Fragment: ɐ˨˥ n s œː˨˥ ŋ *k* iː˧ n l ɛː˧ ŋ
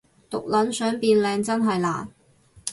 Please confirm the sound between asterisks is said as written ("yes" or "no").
no